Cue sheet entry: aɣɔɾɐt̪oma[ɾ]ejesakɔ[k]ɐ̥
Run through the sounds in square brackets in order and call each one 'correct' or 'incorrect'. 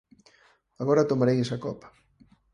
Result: correct, incorrect

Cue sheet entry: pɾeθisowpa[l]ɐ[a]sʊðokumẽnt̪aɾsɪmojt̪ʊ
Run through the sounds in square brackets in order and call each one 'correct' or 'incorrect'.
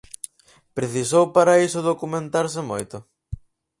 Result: incorrect, incorrect

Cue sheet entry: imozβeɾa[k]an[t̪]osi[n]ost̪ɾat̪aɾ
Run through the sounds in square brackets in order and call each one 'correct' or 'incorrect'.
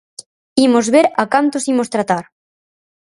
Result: correct, correct, incorrect

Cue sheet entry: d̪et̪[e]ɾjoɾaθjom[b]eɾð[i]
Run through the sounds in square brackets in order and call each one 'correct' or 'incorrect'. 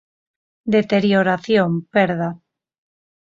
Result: correct, incorrect, incorrect

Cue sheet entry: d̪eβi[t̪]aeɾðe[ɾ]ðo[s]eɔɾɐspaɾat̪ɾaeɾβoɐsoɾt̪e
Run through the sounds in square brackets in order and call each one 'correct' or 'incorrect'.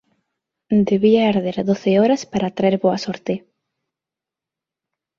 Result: incorrect, correct, incorrect

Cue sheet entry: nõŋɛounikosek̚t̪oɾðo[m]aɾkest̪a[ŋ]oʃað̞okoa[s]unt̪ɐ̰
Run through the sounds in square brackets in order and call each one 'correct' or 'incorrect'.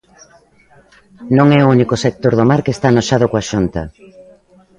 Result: correct, incorrect, incorrect

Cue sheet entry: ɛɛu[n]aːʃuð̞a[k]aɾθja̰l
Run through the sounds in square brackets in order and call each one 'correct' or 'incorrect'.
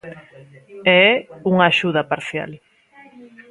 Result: incorrect, incorrect

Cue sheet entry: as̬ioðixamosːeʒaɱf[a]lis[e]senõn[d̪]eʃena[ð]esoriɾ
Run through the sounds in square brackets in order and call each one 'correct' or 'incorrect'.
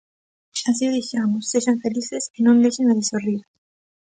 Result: incorrect, correct, correct, correct

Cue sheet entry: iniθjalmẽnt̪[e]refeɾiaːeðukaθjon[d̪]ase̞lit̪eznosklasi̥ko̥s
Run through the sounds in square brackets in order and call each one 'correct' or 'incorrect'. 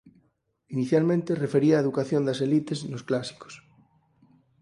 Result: correct, correct

